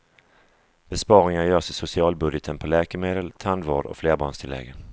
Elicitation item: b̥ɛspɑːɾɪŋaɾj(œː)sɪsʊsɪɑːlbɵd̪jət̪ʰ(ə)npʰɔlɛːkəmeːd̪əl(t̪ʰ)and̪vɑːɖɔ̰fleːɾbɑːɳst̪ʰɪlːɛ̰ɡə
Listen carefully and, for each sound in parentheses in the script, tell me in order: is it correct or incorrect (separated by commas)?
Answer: correct, correct, correct